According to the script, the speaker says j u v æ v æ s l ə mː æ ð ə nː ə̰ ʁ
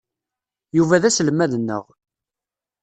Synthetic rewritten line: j u v æ ð æ s l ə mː æ ð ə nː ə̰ ʁ